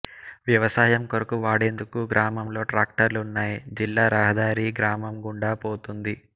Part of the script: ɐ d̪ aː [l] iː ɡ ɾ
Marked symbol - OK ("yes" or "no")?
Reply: no